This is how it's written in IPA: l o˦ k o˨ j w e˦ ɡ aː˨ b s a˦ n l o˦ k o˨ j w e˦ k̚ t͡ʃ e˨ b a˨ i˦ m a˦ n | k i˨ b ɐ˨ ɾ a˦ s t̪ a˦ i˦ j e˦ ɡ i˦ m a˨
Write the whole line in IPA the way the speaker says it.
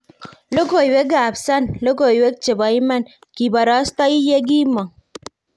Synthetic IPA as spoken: l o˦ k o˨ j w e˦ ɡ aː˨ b s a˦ n l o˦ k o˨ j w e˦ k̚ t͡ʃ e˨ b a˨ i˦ m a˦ n | k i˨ b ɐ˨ ɾ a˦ s t̪ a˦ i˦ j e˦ ɡ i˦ m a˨